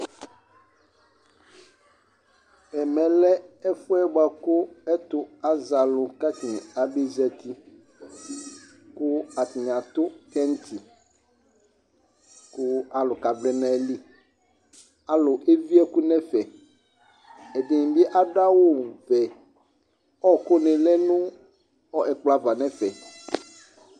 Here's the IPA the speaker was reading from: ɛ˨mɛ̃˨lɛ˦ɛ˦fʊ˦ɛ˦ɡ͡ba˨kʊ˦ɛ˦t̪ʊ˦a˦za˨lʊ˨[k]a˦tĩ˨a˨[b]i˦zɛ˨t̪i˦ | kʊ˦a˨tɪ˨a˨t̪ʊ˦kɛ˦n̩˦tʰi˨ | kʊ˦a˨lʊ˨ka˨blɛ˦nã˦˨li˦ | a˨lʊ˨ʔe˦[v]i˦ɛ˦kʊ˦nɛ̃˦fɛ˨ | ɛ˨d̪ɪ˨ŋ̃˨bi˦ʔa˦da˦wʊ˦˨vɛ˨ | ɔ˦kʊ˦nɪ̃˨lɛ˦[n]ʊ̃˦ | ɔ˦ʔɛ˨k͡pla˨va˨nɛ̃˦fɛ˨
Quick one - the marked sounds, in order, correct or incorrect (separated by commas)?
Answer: correct, correct, correct, correct